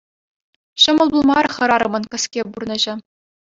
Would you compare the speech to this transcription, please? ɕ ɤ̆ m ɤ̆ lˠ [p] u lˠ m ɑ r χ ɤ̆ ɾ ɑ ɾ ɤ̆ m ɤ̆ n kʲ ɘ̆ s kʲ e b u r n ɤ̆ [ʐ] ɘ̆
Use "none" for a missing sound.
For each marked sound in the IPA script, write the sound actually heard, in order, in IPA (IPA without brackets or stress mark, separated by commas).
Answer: b, ʑ